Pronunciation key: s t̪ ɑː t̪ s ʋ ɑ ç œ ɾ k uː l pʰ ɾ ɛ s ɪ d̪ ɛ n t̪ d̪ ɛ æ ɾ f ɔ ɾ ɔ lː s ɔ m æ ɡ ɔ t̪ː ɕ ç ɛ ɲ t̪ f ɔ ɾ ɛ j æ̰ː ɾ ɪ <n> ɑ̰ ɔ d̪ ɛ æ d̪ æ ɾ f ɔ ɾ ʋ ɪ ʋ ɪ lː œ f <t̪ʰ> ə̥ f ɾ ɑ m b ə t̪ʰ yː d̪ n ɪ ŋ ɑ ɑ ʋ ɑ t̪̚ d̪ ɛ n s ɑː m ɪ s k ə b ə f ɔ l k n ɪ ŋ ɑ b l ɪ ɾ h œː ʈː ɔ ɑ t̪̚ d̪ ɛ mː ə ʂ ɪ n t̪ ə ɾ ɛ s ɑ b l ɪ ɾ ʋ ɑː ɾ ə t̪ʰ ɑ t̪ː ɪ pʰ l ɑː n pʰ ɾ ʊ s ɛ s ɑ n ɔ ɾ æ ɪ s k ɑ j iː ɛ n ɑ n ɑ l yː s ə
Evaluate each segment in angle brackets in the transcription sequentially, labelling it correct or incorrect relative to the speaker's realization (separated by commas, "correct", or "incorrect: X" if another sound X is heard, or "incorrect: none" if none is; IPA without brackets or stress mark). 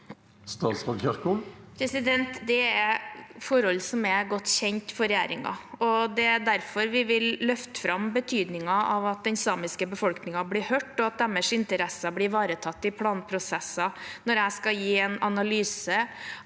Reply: incorrect: ŋ, incorrect: t̪